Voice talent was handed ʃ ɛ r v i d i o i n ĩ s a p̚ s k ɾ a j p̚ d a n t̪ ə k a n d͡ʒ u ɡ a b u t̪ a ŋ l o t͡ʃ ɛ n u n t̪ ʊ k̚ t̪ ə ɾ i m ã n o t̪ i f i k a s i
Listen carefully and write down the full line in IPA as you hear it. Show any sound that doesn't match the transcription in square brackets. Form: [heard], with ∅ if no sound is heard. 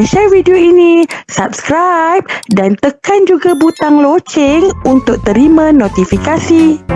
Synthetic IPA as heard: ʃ ɛ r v i d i o i n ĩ s a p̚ s k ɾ a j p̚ d a n t̪ ə k a n d͡ʒ u ɡ a b u t̪ a ŋ l o t͡ʃ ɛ [ŋ] u n t̪ ʊ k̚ t̪ ə ɾ i m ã n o t̪ i f i k a s i

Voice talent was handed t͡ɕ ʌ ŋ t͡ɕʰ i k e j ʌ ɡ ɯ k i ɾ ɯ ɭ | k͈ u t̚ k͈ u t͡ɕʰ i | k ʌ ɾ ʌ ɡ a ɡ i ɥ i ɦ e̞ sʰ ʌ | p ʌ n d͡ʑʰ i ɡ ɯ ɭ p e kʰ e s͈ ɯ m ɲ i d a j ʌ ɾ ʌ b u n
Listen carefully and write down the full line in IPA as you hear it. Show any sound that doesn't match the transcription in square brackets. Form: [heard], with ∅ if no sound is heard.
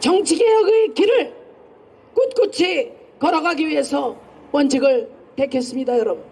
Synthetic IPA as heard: t͡ɕ ʌ ŋ t͡ɕʰ i [ɡ] e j ʌ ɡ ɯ k i ɾ ɯ ɭ | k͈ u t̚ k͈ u t͡ɕʰ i | k ʌ ɾ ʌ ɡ a ɡ i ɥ i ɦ e̞ sʰ ʌ | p ʌ n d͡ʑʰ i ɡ ɯ ɭ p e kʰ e s͈ ɯ m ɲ i d a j ʌ ɾ ʌ b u n

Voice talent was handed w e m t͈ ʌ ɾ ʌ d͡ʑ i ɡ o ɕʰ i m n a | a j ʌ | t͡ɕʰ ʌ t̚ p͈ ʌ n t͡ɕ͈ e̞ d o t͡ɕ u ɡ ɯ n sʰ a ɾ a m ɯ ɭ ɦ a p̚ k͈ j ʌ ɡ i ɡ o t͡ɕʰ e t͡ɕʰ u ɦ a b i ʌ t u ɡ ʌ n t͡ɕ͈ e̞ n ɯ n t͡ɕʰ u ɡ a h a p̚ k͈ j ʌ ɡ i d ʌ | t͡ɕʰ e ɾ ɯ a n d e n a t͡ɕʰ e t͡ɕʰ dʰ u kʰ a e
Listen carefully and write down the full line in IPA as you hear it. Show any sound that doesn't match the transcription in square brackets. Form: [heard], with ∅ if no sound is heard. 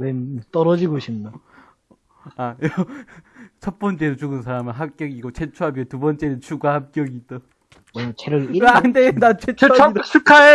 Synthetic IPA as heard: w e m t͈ ʌ ɾ ʌ d͡ʑ i ɡ o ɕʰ i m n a | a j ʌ | t͡ɕʰ ʌ t̚ p͈ ʌ n t͡ɕ͈ e̞ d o t͡ɕ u ɡ ɯ n sʰ a ɾ a m ɯ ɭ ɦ a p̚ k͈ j ʌ ɡ i ɡ o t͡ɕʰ e t͡ɕʰ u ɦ a b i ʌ t u [b] ʌ n t͡ɕ͈ e̞ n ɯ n t͡ɕʰ u ɡ a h a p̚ k͈ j ʌ ɡ i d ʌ | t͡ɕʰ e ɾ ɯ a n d e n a t͡ɕʰ e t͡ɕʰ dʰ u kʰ a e

